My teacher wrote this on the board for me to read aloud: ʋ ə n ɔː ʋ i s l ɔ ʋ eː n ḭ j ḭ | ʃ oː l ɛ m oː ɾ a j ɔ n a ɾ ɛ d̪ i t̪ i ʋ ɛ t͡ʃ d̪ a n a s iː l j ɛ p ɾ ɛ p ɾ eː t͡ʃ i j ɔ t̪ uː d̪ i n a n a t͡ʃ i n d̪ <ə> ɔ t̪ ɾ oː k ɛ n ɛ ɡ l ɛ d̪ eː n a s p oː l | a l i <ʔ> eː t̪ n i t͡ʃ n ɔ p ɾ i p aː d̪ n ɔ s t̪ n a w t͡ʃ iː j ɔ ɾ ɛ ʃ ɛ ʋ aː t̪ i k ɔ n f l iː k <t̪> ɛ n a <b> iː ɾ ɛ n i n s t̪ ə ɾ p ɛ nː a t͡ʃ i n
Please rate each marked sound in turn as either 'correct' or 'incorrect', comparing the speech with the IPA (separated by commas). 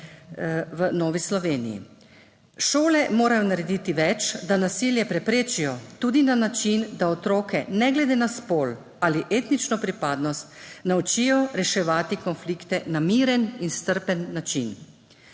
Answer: incorrect, correct, correct, incorrect